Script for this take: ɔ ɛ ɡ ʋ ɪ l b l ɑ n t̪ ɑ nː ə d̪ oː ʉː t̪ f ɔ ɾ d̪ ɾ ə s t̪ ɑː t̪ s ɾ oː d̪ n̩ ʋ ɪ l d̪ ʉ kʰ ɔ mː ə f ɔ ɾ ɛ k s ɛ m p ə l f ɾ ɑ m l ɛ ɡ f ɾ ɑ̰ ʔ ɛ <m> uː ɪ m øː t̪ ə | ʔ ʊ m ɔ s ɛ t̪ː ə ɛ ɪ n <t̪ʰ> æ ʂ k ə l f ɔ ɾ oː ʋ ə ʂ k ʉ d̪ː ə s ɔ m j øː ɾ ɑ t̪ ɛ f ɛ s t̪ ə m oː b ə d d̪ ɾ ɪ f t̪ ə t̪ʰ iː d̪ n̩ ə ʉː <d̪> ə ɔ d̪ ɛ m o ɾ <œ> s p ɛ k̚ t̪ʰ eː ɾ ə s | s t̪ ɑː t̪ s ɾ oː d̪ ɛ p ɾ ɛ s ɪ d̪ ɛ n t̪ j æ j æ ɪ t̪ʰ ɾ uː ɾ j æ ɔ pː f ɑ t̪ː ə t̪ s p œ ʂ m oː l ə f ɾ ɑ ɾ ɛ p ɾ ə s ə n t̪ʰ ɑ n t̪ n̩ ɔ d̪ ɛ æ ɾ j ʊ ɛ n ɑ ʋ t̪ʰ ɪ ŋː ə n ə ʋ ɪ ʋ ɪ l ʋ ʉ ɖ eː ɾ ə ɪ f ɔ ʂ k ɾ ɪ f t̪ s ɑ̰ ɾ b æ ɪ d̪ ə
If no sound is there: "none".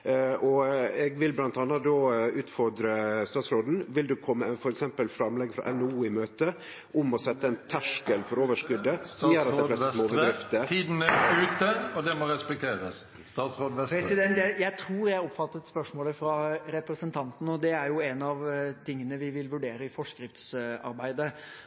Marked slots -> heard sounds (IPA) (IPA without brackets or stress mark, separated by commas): n, t̪ʰ, t̪, ɛ